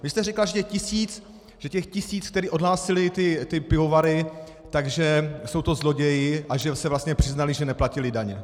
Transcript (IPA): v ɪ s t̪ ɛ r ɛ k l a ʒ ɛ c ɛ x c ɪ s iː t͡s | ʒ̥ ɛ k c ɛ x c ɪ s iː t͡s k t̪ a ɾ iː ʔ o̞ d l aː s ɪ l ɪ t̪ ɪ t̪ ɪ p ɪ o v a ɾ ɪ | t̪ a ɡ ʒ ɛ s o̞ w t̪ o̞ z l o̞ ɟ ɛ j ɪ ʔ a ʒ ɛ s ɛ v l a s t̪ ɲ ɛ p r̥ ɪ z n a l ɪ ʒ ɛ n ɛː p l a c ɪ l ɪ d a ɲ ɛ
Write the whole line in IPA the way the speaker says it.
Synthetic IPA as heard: v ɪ s t̪ ɛ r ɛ k l a ʒ ɛ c ɛ x c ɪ s iː t͡s | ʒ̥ ɛ c ɛ x c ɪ s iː t͡s k t̪ ɛ ɾ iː ʔ o̞ d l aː s ɪ l ɪ t̪ ɪ t̪ ɪ p ɪ o v a ɾ ɪ | t̪ a ɡ ʒ ɛ s o̞ w t̪ o̞ z l o̞ ɟ ɛ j ɪ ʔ a ʒ ɛ s ɛ v l a s t̪ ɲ ɛ p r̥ ɪ z n a l ɪ ʒ ɛ n ɛ p l a c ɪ l ɪ d a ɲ ɛ